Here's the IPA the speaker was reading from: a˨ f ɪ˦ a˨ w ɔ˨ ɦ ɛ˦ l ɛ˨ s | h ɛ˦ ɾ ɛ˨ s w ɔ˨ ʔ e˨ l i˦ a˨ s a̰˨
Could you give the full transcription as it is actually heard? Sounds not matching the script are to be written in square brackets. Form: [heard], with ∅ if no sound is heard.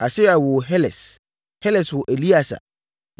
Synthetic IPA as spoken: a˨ [s] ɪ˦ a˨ w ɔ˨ ɦ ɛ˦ l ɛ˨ s | h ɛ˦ [l] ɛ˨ s w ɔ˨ ʔ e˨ l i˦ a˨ s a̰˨